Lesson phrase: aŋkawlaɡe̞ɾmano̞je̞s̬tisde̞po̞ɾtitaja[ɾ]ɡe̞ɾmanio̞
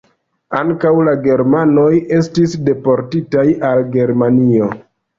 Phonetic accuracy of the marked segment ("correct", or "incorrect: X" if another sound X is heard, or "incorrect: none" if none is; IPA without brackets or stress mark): incorrect: l